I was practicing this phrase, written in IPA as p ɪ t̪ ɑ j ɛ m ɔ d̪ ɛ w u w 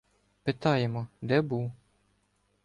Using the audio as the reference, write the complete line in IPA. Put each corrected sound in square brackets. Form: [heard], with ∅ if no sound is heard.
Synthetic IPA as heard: p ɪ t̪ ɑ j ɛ m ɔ d̪ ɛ [b] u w